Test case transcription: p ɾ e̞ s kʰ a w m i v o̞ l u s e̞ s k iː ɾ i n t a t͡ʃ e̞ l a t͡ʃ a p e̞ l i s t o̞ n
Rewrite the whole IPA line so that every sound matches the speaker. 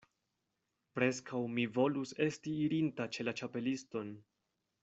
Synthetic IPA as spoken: p ɾ e̞ s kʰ a w m i v o̞ l u s e̞ s t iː ɾ i n t a t͡ʃ e̞ l a t͡ʃ a p e̞ l i s t o̞ n